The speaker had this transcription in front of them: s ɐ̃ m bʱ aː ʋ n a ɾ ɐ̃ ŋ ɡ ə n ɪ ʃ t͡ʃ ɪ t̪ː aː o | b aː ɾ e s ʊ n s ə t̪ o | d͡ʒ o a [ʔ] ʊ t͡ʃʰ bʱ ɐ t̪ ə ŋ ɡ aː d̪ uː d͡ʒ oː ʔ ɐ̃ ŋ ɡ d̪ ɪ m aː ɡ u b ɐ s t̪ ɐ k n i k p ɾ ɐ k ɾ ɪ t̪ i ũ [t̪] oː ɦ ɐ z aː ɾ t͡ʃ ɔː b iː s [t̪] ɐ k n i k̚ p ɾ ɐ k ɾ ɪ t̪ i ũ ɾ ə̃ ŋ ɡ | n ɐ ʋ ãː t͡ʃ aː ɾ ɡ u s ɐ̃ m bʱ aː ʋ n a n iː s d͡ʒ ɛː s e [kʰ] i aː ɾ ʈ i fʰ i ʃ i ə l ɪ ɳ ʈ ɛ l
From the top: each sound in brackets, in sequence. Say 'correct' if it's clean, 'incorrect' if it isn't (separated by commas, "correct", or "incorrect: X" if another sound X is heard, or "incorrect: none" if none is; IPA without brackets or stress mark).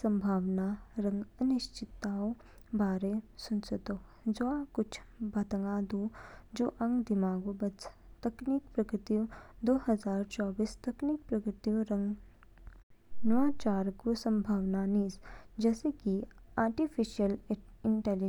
incorrect: k, incorrect: d̪, correct, incorrect: k